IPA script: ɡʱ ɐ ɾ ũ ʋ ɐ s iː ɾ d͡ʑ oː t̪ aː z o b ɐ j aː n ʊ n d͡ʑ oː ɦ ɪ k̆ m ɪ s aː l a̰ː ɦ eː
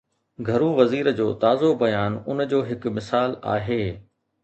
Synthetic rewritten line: ɡʱ ɐ ɾ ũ ʋ ɐ z iː ɾ d͡ʑ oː t̪ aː z o b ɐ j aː n ʊ n d͡ʑ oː ɦ ɪ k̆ m ɪ s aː l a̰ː ɦ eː

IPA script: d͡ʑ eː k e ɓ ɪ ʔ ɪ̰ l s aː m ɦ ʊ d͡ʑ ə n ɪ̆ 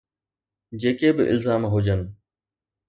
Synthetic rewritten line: d͡ʑ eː k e b ɪ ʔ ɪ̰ l z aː m ɦ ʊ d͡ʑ ə n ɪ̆

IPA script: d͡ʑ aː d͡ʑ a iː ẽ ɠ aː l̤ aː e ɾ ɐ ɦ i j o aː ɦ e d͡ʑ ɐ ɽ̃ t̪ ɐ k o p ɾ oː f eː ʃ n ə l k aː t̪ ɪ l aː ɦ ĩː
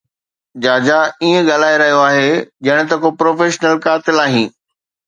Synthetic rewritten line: d͡ʑ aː d͡ʑ a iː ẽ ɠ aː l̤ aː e ɾ ɐ ɦ i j o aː ɦ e d͡ʑ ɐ ɽ̃ t̪ ɐ k o p ɾ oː f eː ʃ n ə l k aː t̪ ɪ l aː ɦ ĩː

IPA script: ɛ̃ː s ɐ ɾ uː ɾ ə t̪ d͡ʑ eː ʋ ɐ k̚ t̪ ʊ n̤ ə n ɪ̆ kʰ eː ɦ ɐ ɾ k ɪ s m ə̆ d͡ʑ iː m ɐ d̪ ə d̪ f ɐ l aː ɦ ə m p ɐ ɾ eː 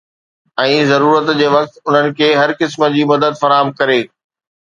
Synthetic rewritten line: ɛ̃ː z ɐ ɾ uː ɾ ə t̪ d͡ʑ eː ʋ ɐ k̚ t̪ ʊ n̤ ə n ɪ̆ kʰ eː ɦ ɐ ɾ k ɪ s m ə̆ d͡ʑ iː m ɐ d̪ ə d̪ f ɐ ɾ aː ɦ ə m k ɐ ɾ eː

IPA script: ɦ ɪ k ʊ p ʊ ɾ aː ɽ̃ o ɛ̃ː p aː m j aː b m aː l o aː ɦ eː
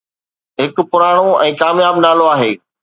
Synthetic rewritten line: ɦ ɪ k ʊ p ʊ ɾ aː ɽ̃ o ɛ̃ː k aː m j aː b n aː l o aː ɦ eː

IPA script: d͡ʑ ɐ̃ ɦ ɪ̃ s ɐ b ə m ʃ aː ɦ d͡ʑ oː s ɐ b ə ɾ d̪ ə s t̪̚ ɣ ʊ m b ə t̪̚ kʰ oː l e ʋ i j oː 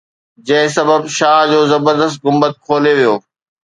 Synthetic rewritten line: d͡ʑ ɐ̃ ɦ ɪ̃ s ɐ b ə b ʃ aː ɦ d͡ʑ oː z ɐ b ə ɾ d̪ ə s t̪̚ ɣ ʊ m b ə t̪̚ kʰ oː l e ʋ i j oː

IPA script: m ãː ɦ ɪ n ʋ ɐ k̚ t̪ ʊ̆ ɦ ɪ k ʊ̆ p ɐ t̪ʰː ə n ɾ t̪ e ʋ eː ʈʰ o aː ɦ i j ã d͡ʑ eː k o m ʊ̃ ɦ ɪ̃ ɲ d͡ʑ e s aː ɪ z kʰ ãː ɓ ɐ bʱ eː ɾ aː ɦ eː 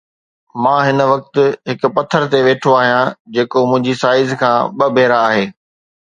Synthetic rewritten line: m ãː ɦ ɪ n ʋ ɐ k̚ t̪ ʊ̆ ɦ ɪ k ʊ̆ p ɐ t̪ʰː ə ɾ t̪ e ʋ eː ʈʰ o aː ɦ i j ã d͡ʑ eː k o m ʊ̃ ɦ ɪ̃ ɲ d͡ʑ i s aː ɪ z kʰ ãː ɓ ɐ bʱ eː ɾ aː ɦ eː

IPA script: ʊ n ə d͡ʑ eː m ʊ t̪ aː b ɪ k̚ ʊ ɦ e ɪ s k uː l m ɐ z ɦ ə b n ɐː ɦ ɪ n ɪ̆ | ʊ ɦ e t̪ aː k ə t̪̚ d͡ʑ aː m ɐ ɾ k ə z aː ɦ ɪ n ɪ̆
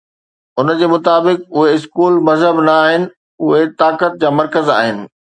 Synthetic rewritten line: ʊ n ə d͡ʑ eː m ʊ t̪ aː b ɪ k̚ ʊ ɦ e ɪ s k uː l m ɐ z ɦ ə b n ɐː ɦ ɪ n ɪ̆ | ʊ ɦ e t̪ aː k ə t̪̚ d͡ʑ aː m ɐ ɾ k ə z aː ɦ ɪ n ɪ̆

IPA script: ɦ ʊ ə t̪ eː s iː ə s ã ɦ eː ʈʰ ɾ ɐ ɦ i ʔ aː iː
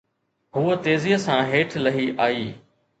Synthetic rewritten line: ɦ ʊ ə t̪ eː z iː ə s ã ɦ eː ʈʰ l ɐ ɦ i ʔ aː iː

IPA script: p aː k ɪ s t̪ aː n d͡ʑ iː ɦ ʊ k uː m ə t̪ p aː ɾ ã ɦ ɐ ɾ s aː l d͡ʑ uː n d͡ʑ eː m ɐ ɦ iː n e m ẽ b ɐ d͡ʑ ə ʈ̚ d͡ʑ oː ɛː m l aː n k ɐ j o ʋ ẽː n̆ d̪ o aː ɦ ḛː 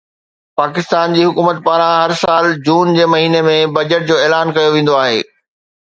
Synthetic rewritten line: p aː k ɪ s t̪ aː n d͡ʑ iː ɦ ʊ k uː m ə t̪ p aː ɾ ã ɦ ɐ ɾ s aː l d͡ʑ uː n d͡ʑ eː m ɐ ɦ iː n e m ẽ b ɐ d͡ʑ ə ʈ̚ d͡ʑ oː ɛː l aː n k ɐ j o ʋ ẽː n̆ d̪ o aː ɦ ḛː

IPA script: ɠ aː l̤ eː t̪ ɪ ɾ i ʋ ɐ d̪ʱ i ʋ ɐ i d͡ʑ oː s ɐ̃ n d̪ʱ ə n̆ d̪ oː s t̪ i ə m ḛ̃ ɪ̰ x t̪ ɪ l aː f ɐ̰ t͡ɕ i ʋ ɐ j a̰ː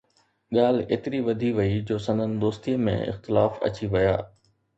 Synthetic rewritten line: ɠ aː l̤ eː t̪ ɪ ɾ i ʋ ɐ d̪ʱ i ʋ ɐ i d͡ʑ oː s ɐ̃ n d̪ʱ ə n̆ d̪ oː s t̪ i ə m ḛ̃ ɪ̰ x t̪ ɪ l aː f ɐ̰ t͡ɕ i ʋ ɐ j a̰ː

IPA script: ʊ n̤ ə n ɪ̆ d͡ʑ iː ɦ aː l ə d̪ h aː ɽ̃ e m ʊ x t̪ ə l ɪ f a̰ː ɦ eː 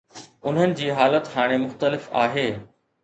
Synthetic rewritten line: ʊ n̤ ə n ɪ̆ d͡ʑ iː ɦ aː l ə t̪ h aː ɽ̃ e m ʊ x t̪ ə l ɪ f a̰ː ɦ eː

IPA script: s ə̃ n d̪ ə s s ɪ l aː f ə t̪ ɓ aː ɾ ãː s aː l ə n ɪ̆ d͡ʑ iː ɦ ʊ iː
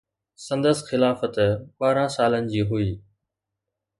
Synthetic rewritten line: s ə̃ n d̪ ə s x ɪ l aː f ə t̪ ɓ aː ɾ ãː s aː l ə n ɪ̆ d͡ʑ iː ɦ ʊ iː

